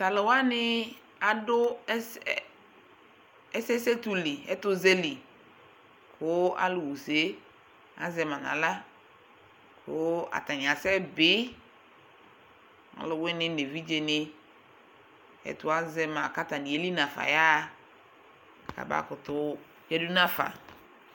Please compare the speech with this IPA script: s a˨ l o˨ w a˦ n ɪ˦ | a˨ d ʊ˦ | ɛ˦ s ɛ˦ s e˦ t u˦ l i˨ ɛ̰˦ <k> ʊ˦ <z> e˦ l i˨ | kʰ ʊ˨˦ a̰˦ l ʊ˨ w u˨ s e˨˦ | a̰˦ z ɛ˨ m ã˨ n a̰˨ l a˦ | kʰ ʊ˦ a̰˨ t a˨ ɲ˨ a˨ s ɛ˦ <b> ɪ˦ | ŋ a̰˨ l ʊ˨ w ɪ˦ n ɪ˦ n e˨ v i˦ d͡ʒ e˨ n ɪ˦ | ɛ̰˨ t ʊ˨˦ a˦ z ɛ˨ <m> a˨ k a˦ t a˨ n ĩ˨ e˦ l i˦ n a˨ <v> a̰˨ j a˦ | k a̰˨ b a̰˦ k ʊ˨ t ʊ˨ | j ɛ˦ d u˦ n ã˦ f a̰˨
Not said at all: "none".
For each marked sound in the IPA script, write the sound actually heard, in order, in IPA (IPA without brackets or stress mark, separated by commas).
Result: t, z, b, m, f